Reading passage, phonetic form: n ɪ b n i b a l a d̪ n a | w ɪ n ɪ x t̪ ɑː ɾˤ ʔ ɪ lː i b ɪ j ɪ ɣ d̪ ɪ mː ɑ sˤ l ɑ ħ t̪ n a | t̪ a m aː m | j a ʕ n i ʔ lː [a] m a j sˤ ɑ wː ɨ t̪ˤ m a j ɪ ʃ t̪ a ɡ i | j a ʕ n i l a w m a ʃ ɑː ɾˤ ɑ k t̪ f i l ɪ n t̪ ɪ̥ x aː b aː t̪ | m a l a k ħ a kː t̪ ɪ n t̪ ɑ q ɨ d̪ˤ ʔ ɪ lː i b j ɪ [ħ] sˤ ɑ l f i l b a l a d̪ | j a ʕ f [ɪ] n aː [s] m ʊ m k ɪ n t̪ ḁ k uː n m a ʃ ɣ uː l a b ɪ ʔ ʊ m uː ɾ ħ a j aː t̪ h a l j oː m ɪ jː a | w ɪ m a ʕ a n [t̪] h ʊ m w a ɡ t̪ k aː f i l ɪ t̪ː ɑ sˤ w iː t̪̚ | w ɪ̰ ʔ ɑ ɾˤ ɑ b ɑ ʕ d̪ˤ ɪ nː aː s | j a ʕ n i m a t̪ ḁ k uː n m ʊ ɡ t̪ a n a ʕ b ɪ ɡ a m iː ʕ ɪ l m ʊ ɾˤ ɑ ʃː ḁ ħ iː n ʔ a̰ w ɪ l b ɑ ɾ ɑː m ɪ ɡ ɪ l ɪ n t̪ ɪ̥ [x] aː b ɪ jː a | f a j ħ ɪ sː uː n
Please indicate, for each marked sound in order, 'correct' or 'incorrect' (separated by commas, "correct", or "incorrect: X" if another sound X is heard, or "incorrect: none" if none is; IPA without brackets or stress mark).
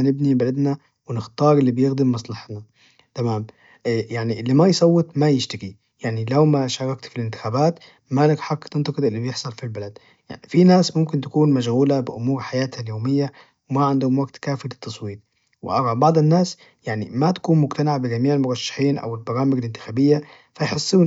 incorrect: i, correct, incorrect: i, correct, incorrect: d̪, correct